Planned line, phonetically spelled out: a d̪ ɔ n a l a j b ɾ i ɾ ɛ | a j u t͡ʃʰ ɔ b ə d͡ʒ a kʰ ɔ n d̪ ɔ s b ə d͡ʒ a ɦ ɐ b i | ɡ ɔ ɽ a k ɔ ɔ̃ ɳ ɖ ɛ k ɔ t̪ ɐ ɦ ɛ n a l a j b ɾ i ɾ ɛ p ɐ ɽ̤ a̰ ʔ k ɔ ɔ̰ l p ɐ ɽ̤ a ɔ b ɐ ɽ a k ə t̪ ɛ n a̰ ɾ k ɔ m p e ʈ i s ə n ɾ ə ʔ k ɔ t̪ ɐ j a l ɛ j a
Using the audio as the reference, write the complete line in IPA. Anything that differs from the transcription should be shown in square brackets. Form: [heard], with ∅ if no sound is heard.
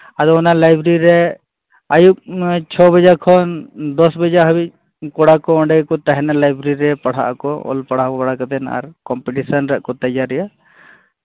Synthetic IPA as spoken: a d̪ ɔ n a l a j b ɾ i ɾ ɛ | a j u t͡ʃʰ ɔ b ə d͡ʒ a kʰ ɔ n d̪ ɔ s b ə d͡ʒ a ɦ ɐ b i | [k] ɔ ɽ a k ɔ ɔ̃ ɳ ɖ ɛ k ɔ t̪ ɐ ɦ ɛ n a l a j b ɾ i ɾ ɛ p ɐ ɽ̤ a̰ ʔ k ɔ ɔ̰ l p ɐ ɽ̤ a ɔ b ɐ ɽ a k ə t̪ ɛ n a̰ ɾ k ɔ m p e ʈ i s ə n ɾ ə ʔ k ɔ t̪ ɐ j a [ɾ] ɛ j a